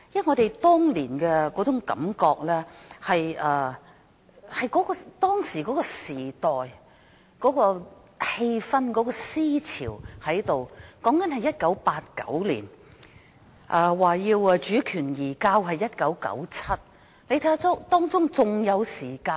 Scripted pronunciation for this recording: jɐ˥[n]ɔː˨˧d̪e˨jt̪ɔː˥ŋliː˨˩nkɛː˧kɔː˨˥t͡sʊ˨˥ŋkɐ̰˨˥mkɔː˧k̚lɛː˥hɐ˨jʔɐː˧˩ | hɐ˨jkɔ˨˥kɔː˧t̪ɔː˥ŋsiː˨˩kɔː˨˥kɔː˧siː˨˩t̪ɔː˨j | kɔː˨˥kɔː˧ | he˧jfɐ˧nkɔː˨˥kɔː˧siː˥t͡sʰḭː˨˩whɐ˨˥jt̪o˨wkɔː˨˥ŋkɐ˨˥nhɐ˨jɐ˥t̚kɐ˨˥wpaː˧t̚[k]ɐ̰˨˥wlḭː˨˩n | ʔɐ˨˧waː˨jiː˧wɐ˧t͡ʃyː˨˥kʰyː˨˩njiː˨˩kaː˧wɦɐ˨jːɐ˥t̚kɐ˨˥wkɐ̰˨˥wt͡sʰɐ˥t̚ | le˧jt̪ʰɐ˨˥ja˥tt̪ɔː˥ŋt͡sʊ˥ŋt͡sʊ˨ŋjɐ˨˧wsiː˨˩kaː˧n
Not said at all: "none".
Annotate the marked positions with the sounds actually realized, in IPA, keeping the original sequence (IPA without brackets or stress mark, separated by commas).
ŋ, k